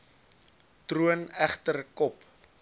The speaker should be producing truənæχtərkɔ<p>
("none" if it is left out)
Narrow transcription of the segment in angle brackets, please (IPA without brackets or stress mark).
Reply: p